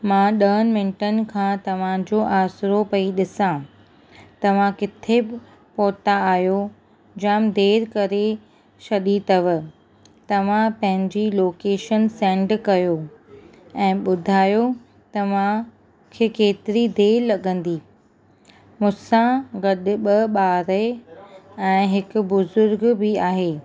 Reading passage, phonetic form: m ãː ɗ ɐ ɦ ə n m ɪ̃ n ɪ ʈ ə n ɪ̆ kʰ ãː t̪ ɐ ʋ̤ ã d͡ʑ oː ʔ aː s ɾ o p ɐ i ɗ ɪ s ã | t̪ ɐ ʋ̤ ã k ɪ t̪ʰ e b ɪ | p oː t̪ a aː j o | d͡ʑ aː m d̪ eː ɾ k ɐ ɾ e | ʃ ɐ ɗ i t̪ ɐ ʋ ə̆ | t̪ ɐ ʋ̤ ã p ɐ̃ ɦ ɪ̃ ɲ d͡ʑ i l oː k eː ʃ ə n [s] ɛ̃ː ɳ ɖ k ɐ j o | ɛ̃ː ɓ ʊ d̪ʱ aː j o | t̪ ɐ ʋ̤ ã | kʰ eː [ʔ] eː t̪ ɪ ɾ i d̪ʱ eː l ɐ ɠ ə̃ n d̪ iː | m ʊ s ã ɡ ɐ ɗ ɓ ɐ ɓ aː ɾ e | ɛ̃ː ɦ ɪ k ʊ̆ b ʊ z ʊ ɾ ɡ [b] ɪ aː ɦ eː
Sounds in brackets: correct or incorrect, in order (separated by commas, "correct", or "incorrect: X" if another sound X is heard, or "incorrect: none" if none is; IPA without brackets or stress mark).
correct, incorrect: k, correct